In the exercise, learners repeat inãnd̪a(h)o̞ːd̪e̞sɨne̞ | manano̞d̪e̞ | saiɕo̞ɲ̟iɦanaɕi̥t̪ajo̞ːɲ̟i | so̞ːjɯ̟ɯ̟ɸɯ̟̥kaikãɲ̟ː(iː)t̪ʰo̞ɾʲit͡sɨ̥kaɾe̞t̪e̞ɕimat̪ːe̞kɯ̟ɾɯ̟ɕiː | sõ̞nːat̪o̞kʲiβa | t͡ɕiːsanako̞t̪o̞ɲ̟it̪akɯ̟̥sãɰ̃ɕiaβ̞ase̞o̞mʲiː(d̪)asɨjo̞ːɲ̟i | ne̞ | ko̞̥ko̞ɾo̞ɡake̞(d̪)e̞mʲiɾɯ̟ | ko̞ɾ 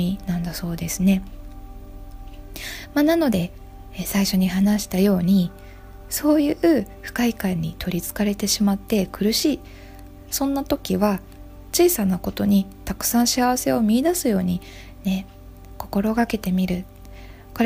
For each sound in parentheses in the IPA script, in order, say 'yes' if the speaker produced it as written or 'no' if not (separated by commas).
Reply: no, no, yes, no